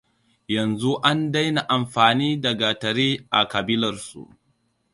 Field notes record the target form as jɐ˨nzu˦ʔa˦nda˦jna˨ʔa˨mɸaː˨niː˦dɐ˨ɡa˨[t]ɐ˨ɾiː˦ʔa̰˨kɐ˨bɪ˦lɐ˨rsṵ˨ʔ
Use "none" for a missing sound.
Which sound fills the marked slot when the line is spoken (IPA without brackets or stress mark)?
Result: t